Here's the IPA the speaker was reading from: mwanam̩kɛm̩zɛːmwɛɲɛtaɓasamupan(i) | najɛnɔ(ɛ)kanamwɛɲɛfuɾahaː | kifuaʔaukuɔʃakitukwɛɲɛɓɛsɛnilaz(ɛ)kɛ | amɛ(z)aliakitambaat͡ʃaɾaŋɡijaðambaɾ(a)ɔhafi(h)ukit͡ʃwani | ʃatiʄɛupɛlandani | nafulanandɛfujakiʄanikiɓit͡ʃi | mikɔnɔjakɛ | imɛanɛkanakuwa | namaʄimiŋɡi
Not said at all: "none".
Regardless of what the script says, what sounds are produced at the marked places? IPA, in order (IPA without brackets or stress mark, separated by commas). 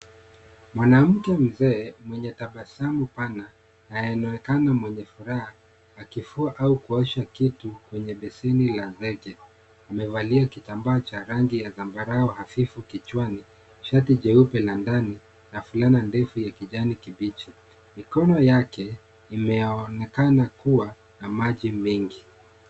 a, ɛ, ɛ, v, a, f